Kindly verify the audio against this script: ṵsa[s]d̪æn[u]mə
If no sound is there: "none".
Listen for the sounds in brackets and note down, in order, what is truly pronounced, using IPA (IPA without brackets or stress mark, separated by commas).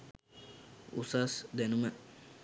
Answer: s, u